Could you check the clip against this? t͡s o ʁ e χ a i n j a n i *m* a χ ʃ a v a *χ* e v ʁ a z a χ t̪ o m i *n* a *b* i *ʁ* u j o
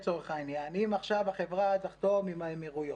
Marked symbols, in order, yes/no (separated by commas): yes, yes, no, no, yes